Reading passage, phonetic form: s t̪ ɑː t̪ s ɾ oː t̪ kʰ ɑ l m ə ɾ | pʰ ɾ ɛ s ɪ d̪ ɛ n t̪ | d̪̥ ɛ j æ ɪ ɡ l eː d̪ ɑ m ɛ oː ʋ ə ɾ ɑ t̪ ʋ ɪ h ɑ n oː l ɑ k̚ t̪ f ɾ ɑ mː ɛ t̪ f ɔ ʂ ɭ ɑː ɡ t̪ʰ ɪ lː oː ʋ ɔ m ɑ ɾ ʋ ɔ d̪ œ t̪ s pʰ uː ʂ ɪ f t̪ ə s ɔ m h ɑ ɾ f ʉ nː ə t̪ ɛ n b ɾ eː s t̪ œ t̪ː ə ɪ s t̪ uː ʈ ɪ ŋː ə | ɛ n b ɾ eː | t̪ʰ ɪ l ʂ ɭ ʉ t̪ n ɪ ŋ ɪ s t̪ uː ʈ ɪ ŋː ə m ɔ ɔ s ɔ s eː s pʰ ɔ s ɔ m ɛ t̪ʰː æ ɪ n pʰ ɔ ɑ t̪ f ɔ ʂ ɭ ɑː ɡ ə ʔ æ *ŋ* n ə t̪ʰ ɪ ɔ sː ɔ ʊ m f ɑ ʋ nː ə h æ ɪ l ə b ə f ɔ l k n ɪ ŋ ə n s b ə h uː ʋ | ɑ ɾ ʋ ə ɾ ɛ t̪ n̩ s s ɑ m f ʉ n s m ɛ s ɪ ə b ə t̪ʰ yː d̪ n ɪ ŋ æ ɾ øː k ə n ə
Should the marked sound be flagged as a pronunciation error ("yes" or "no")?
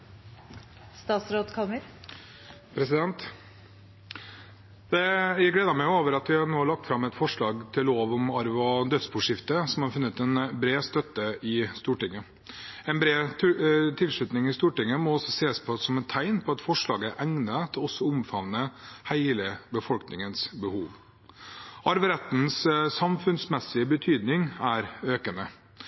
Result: no